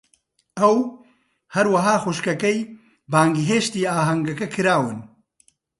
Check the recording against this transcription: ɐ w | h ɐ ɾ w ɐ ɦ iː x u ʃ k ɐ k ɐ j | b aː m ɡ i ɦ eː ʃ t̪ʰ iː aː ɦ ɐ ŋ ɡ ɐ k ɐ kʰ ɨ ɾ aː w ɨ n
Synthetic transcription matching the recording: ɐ w | h ɐ ɾ w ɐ ɦ aː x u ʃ k ɐ k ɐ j | b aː ŋ ɡ i ɦ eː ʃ t̪ iː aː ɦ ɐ ŋ ɡ ɐ k ɐ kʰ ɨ ɾ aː w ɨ n